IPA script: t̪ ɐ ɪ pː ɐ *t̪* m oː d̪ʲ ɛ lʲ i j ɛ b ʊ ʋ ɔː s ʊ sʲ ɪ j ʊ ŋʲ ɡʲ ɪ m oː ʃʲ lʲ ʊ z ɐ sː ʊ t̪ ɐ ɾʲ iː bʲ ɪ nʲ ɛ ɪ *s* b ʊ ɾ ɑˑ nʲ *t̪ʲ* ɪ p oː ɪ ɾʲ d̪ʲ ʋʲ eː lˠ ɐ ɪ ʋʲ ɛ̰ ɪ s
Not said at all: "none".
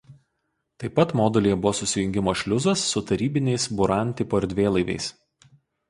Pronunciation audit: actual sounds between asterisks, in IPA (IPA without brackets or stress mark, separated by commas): t̪, s, t̪ʲ